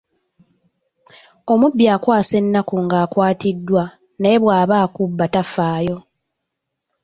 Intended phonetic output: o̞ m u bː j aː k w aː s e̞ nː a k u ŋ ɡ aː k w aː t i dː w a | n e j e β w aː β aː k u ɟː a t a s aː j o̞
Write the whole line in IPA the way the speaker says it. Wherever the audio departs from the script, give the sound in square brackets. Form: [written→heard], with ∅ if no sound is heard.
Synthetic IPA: o̞ m u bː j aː k w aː s e̞ nː a k u ŋ ɡ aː k w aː t i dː w a | n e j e β w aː β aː k u [ɟː→bː] a t a [s→f] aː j o̞